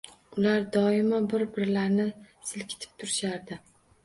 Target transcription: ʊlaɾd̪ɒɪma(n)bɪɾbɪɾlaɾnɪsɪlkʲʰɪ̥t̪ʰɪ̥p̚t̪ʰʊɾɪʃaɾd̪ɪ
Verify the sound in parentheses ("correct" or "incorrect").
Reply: incorrect